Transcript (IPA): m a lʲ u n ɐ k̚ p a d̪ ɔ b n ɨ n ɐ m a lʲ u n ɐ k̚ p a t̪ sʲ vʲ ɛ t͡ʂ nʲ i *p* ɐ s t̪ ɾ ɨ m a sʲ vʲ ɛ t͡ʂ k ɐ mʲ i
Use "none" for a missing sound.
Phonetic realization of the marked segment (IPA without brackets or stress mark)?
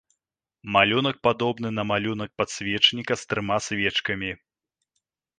k